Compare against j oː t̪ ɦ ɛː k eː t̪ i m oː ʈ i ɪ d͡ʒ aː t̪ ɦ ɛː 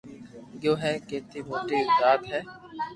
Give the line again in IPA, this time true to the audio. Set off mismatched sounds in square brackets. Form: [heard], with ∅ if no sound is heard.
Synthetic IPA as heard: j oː [∅] ɦ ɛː k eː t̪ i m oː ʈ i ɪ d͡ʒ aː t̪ ɦ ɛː

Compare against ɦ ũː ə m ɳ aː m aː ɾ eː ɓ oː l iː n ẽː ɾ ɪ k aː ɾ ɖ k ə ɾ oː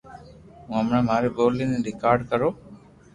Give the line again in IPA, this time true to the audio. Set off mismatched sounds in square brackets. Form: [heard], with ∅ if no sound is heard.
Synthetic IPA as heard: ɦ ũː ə m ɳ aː m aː ɾ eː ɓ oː l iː n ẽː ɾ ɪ k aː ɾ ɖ k ə ɾ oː

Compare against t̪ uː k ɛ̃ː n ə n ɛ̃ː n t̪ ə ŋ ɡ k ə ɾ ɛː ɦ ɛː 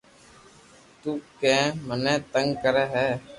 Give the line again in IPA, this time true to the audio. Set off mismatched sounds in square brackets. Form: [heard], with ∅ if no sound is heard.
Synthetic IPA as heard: t̪ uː k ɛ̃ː [m] ə n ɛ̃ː [∅] t̪ ə ŋ ɡ k ə ɾ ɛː ɦ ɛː

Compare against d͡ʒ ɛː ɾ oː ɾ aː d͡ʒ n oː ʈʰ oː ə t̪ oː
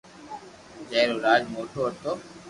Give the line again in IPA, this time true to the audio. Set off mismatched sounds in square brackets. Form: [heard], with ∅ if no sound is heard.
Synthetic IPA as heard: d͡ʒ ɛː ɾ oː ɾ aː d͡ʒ [m] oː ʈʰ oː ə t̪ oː

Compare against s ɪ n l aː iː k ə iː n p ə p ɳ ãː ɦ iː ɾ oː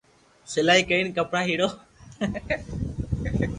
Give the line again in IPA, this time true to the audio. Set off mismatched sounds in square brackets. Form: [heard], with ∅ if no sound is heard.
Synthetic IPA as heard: s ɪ [∅] l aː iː k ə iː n [k] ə p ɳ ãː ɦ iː [ɽ] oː

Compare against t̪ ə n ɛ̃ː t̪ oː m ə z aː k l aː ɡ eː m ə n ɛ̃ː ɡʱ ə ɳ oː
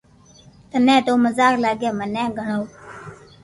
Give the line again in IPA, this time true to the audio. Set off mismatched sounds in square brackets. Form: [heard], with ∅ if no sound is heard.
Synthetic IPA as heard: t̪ ə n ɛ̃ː t̪ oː m ə z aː k l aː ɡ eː m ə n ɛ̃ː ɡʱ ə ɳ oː

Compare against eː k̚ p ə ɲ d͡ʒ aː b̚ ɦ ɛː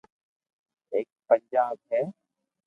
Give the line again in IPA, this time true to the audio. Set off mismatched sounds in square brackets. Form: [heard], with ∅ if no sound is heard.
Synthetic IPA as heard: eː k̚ p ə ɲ d͡ʒ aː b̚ ɦ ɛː

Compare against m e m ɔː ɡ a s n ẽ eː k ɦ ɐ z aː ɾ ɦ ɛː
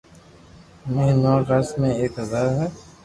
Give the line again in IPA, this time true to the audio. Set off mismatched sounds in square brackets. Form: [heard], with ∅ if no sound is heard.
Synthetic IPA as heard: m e [n] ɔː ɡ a s [m] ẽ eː k ɦ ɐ z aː ɾ ɦ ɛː

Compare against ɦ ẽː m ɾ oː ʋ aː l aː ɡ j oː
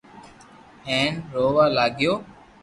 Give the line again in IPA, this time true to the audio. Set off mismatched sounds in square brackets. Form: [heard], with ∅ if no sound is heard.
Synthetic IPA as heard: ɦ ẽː [n] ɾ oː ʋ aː l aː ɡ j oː

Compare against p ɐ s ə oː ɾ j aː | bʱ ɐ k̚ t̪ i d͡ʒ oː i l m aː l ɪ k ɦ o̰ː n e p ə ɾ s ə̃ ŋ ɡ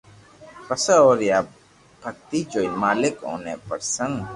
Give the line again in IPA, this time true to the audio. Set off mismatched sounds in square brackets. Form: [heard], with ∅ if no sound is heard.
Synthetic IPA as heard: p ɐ s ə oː ɾ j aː | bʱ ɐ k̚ t̪ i d͡ʒ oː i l m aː l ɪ k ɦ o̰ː n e p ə ɾ s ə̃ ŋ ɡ

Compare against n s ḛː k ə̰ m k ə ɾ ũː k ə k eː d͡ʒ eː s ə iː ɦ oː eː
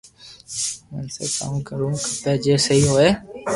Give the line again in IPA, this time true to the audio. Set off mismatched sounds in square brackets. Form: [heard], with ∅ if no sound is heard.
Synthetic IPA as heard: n s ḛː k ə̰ m k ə ɾ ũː k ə [p] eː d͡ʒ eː s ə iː ɦ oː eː

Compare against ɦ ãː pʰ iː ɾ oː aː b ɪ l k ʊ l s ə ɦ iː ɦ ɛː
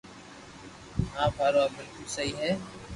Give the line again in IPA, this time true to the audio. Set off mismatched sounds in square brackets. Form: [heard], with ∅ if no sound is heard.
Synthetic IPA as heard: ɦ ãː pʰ [aː] ɾ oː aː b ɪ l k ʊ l s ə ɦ iː ɦ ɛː

